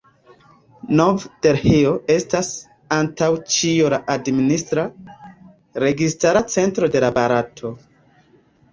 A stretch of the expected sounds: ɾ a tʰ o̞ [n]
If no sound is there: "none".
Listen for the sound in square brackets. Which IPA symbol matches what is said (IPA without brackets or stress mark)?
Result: none